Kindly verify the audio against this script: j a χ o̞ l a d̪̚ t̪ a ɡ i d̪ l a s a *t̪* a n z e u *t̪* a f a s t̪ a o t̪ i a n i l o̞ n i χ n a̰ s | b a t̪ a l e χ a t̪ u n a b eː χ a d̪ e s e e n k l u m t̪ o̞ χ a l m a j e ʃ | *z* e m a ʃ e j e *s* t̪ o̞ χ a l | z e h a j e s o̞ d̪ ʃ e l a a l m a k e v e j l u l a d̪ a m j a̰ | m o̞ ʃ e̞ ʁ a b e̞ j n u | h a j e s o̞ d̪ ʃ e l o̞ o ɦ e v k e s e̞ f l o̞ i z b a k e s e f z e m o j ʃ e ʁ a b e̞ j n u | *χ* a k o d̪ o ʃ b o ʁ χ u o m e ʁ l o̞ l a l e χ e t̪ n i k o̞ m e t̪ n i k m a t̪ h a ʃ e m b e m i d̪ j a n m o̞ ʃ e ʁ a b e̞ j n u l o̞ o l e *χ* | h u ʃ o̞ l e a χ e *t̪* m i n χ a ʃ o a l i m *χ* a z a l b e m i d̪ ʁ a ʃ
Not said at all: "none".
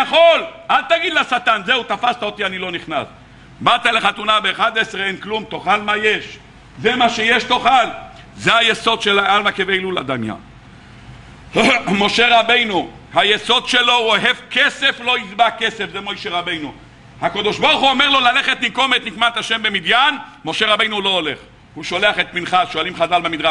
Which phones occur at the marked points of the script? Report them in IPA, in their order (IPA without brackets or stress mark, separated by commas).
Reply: t̪, t̪, z, ʃ, h, χ, t̪, χ